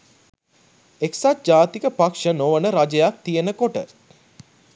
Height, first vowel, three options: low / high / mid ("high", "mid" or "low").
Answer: mid